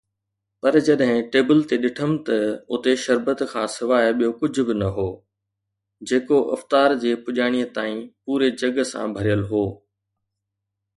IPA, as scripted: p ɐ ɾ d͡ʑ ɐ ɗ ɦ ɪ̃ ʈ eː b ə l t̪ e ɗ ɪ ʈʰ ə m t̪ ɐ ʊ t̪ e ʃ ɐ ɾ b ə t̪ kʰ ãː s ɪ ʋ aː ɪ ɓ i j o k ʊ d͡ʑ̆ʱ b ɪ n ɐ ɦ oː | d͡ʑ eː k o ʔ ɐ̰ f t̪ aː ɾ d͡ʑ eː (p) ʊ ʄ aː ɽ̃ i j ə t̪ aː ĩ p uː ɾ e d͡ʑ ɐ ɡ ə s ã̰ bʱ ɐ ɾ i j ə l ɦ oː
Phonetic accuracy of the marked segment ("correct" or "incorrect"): correct